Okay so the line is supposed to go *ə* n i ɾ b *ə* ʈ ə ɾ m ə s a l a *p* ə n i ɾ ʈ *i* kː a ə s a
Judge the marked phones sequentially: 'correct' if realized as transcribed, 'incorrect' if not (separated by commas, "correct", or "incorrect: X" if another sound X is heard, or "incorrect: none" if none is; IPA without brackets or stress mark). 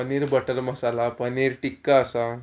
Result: correct, correct, correct, correct